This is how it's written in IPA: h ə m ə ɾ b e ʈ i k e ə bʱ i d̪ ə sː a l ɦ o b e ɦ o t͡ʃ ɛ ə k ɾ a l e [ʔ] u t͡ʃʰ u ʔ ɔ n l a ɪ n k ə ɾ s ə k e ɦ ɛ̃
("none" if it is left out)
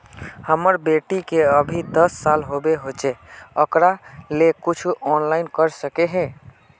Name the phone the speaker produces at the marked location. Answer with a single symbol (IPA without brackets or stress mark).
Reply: k